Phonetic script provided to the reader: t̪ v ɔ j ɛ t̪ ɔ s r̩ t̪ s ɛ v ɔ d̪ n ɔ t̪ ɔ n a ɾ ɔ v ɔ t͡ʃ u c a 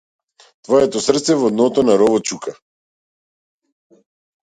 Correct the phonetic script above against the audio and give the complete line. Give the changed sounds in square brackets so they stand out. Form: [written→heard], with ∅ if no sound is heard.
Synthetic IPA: t̪ v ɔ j ɛ t̪ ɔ s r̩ t̪ s ɛ v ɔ d̪ n ɔ t̪ ɔ n a ɾ ɔ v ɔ t͡ʃ u [c→k] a